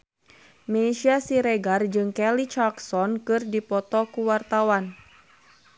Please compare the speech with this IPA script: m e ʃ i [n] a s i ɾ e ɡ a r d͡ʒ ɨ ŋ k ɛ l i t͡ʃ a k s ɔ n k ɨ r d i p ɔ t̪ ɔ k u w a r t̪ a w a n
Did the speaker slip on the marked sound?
yes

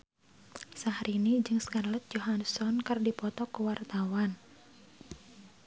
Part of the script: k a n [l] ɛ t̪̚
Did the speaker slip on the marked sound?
no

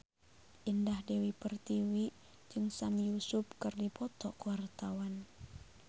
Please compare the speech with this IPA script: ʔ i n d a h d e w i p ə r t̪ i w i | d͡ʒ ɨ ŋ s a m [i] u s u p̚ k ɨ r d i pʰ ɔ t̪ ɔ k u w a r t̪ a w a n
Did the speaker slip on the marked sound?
yes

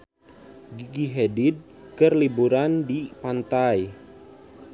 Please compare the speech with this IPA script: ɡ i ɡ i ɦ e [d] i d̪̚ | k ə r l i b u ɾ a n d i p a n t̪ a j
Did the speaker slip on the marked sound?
no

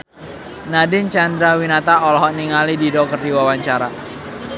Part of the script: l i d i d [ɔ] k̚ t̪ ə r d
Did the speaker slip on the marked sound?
no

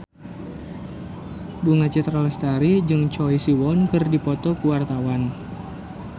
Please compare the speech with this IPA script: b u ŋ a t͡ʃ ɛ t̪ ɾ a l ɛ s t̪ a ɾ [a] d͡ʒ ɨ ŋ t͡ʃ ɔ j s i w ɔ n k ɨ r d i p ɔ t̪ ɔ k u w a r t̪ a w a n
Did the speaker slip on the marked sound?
yes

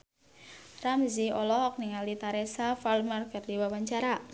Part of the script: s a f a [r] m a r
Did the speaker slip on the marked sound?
yes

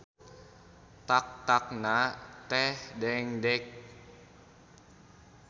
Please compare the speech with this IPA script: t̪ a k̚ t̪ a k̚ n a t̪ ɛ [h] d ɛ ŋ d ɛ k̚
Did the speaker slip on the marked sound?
no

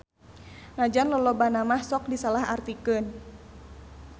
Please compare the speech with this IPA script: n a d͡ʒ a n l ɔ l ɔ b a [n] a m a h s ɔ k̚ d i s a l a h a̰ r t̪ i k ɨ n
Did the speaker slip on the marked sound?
no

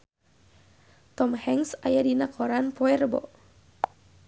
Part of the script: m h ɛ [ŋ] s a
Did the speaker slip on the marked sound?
no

